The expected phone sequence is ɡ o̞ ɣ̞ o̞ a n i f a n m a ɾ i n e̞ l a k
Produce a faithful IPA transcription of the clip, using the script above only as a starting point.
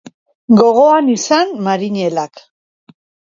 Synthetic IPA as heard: ɡ o̞ ɣ̞ o̞ a n i s a n m a ɾ i ɲ e̞ l a k